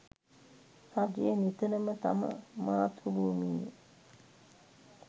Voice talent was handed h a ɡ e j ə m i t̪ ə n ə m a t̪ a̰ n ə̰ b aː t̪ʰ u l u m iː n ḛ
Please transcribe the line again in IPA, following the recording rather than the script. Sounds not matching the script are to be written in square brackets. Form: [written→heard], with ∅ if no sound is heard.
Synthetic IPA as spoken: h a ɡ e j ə [m→n] i t̪ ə n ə m [a→ə] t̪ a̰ [n→m] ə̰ [b→m] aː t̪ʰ u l u m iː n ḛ

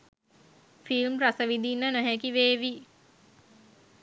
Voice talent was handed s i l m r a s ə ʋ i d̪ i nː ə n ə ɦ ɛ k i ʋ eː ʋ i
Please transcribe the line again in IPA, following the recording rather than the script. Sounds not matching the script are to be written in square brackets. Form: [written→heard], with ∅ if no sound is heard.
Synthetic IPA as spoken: [s→f] i l m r a s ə ʋ i d̪ i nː ə n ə ɦ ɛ k i ʋ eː ʋ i

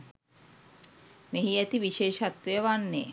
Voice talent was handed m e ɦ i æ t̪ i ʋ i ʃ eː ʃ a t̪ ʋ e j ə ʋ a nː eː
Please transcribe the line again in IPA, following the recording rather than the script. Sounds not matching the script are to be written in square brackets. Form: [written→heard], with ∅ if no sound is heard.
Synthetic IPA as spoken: m e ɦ i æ t̪ i ʋ i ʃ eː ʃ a t̪ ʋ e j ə ʋ a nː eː

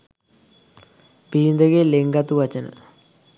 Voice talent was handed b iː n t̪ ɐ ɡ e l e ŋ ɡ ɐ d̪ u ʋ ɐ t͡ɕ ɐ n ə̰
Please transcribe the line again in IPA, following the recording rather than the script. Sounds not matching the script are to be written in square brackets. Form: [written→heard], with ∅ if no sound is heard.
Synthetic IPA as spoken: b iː n [t̪→d̪] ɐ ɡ e l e ŋ ɡ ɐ [d̪→t̪] u ʋ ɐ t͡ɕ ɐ n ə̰

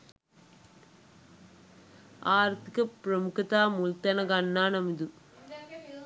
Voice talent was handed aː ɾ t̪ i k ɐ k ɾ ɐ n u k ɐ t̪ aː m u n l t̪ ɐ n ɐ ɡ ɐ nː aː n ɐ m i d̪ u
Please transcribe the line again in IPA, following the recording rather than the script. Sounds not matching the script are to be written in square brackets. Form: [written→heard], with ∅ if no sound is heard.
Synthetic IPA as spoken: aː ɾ t̪ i k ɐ [k→p] ɾ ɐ [n→m] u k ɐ t̪ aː m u [n→∅] l t̪ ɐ n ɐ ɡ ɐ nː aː n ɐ m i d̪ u

